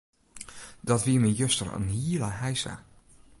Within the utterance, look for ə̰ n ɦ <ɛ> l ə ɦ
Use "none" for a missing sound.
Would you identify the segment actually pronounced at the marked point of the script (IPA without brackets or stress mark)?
i